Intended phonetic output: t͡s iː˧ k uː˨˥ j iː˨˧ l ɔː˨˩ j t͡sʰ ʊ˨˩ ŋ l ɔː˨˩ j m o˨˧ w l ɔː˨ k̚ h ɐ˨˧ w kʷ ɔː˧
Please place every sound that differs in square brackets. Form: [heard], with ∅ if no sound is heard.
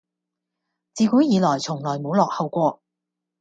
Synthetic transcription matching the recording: t͡s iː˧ k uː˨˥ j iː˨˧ l ɔː˨˩ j t͡sʰ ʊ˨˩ ŋ l ɔː˨˩ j m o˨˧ w l ɔː˨ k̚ h ɐ˨˧ w kʷ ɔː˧